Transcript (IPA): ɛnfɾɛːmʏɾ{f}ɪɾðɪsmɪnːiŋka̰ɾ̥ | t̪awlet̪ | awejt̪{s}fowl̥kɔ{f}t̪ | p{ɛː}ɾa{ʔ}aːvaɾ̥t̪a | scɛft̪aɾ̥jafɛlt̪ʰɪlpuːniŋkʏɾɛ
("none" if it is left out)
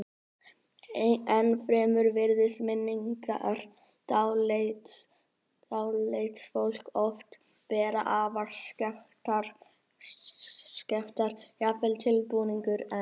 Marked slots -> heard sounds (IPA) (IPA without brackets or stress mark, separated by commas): v, s, f, ɛː, ʔ